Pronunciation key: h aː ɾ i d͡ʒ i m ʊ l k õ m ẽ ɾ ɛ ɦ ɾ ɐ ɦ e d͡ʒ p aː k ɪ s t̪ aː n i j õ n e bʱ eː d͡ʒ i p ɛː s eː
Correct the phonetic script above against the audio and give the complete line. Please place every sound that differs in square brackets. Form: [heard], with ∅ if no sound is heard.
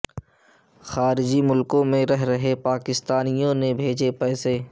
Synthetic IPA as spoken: [x] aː ɾ [ɪ] d͡ʒ i m ʊ l k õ m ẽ ɾ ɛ ɦ ɾ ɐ ɦ e [∅] p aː k ɪ s t̪ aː n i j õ n e bʱ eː d͡ʒ [e] p ɛː s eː